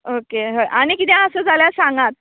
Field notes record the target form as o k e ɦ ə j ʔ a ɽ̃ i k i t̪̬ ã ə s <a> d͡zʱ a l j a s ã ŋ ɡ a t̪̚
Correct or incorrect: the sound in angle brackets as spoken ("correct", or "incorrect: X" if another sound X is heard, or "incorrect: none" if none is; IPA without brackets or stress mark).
incorrect: ə